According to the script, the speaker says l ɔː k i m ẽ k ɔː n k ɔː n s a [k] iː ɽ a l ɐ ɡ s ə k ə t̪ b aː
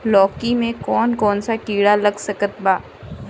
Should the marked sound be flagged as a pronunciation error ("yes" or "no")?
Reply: no